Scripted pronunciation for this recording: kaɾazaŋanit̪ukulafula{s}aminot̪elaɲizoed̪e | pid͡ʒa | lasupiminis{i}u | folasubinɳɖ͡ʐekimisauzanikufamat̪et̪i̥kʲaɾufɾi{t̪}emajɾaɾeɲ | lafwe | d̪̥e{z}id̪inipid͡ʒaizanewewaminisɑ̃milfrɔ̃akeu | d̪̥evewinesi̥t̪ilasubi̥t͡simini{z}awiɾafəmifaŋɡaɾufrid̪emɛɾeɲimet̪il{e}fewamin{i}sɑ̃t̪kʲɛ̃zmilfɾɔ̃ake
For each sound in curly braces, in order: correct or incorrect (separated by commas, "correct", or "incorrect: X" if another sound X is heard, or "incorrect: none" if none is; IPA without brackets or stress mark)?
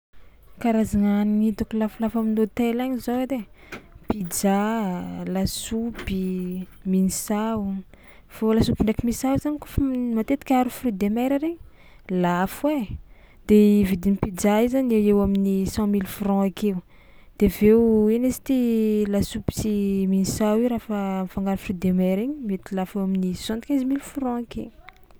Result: incorrect: f, incorrect: a, incorrect: d̪, incorrect: v, incorrect: s, incorrect: a, correct